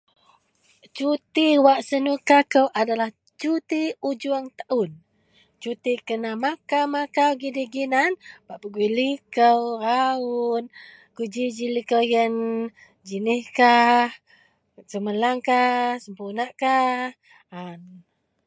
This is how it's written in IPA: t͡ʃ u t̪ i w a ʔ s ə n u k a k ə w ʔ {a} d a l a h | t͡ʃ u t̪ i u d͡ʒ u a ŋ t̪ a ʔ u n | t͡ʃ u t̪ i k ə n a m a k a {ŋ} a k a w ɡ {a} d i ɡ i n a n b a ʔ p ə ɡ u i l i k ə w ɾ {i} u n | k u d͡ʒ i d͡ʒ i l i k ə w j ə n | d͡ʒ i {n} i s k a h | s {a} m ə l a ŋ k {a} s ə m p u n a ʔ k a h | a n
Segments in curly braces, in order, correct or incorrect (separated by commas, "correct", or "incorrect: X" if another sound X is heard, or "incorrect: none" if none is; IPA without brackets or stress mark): correct, incorrect: m, incorrect: i, incorrect: a, correct, incorrect: ə, correct